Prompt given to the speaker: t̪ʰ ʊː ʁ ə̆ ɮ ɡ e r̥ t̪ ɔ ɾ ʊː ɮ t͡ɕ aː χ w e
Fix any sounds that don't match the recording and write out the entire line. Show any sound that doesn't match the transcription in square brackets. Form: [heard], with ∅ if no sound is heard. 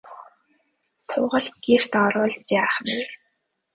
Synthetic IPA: t̪ʰ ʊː ʁ ə̆ ɮ ɡ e r̥ t̪ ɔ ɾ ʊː ɮ t͡ɕ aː χ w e